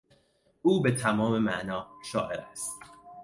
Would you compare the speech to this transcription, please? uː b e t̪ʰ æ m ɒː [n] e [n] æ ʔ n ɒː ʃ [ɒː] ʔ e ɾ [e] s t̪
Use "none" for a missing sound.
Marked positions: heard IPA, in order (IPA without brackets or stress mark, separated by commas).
m, m, ɒː, æ